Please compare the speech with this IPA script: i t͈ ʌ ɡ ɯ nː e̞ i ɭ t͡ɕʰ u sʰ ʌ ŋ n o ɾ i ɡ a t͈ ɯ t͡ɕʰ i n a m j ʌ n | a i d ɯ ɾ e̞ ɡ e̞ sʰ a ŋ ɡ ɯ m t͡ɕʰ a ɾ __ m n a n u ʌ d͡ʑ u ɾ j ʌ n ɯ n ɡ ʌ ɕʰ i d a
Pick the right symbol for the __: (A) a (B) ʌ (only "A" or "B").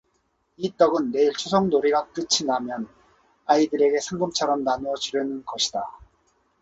B